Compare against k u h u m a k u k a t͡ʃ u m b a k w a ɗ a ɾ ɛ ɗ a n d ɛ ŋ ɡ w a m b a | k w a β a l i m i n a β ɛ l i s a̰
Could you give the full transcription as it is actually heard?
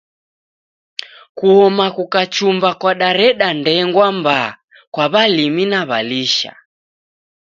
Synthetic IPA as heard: k u h ɔ m a k u k a t͡ʃ u m b a k w a ɗ a ɾ ɛ ɗ a n d ɛ ŋ ɡ w a m b a | k w a β a l i m i n a β a l i ʃ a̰